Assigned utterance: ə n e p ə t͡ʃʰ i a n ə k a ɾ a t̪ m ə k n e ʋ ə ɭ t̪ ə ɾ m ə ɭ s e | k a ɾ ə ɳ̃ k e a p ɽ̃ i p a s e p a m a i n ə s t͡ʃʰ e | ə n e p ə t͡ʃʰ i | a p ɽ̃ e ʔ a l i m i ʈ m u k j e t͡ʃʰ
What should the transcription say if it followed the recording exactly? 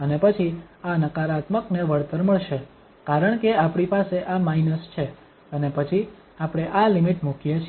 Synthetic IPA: ə n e p ə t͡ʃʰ i a n ə k a ɾ a t̪ m ə k n e ʋ ə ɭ t̪ ə ɾ m ə ɭ ʃ e | k a ɾ ə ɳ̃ k e a p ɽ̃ i p a s e ʔ a m a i n ə s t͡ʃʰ e | ə n e p ə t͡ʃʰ i | a p ɽ̃ e ʔ a l i m i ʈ m u k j e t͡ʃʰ